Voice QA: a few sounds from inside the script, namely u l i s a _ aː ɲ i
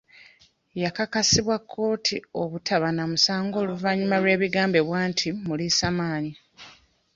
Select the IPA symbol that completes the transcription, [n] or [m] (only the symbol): m